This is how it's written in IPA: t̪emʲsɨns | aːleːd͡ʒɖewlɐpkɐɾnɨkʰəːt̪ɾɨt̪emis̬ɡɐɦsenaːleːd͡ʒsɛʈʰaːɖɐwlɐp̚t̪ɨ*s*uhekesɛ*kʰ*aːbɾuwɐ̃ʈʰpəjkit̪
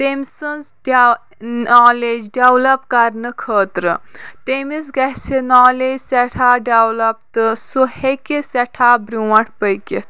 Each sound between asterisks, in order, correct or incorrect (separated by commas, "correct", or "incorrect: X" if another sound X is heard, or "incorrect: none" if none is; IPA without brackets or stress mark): correct, incorrect: ʈʰ